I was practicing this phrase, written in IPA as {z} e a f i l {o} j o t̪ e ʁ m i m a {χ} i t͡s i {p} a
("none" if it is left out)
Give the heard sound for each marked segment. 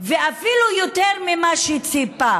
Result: v, u, ʃ, p

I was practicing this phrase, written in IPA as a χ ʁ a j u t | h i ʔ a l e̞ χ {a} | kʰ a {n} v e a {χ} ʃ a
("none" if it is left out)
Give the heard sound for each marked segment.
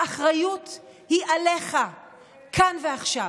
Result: a, n, χ

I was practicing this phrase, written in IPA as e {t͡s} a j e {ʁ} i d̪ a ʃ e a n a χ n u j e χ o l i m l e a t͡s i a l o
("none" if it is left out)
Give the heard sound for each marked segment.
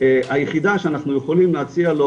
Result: none, χ

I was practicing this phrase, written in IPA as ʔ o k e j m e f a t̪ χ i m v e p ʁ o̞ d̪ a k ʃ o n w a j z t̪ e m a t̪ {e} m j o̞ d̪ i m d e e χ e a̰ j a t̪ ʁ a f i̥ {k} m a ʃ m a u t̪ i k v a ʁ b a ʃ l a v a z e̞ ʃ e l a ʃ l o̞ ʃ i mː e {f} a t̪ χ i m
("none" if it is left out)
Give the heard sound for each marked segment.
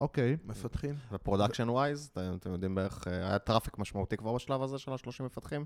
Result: e, k, f

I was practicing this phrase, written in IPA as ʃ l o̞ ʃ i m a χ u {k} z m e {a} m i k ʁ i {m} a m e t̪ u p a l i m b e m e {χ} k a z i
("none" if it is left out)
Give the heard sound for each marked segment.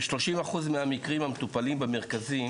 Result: none, a, m, ʁ

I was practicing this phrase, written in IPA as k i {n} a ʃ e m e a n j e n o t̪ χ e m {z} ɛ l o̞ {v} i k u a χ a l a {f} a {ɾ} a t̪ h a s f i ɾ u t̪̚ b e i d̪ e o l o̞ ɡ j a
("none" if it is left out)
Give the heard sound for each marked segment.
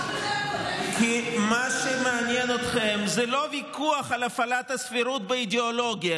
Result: m, z, v, f, l

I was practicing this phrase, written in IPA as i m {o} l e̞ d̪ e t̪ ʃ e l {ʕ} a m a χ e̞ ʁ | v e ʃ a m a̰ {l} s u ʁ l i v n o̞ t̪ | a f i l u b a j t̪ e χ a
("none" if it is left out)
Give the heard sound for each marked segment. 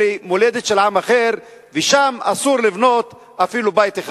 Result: o, ʕ, none

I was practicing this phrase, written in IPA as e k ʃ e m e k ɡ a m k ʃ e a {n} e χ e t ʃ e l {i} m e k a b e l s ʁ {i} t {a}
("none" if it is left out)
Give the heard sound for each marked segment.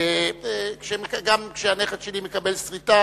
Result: n, i, i, a

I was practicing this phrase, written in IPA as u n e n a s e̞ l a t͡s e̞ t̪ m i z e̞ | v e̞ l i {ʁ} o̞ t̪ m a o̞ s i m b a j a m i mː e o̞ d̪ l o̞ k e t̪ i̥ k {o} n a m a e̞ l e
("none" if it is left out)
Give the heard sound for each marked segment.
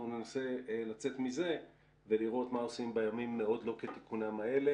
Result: ʁ, u

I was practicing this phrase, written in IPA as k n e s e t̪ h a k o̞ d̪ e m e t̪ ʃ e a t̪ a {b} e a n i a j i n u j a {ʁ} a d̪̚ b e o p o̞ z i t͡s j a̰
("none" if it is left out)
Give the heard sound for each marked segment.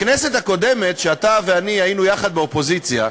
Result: v, χ

